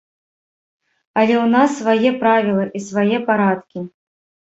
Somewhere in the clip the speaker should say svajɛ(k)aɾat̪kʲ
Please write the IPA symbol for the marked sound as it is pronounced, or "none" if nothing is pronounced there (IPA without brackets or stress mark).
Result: p